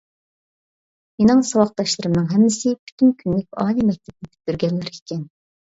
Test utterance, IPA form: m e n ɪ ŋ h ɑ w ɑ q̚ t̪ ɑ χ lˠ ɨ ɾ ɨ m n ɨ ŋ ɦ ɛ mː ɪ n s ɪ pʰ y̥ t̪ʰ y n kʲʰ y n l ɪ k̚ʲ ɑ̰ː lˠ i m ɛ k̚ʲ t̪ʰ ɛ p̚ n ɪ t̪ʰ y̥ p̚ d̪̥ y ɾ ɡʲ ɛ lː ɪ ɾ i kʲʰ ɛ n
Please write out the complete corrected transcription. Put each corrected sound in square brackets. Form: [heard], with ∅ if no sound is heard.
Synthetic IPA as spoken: m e n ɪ ŋ [s] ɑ w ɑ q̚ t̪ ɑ [ʃ] lˠ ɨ ɾ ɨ m n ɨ ŋ ɦ ɛ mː ɪ [∅] s ɪ pʰ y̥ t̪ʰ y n kʲʰ y n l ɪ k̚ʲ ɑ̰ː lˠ i m ɛ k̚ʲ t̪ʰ ɛ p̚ n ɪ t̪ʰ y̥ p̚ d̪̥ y ɾ ɡʲ ɛ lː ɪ ɾ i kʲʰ ɛ n